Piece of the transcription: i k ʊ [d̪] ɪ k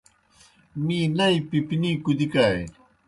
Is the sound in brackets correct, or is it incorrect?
correct